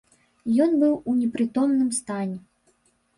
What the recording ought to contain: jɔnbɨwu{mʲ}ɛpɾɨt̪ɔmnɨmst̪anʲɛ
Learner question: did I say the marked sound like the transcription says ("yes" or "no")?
no